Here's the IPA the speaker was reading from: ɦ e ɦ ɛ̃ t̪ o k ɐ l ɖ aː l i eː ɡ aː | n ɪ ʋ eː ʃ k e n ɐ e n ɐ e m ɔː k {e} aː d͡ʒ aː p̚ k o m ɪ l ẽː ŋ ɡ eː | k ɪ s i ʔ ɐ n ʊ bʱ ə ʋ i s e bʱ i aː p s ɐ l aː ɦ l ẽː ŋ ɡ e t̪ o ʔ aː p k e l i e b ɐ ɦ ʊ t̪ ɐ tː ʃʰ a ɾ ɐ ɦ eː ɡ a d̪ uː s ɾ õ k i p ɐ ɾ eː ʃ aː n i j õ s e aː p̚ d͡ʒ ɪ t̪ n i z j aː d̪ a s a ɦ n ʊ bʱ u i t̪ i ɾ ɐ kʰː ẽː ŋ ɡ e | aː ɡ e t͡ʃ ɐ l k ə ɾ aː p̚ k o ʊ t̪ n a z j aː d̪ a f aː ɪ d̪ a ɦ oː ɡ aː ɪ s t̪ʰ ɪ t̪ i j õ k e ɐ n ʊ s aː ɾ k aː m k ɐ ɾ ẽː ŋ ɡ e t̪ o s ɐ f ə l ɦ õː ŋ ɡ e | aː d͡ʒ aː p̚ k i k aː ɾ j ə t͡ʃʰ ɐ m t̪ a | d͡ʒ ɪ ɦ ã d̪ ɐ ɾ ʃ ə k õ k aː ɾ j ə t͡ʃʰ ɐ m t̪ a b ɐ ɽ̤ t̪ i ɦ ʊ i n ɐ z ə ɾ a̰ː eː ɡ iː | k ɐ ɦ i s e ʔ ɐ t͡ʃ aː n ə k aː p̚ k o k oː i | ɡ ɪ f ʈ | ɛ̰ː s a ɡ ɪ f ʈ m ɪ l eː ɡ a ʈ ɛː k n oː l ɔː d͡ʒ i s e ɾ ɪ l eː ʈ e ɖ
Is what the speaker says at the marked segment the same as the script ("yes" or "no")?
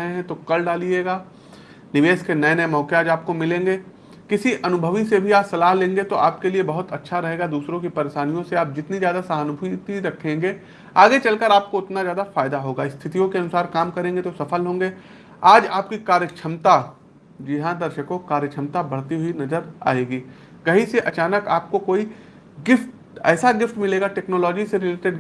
yes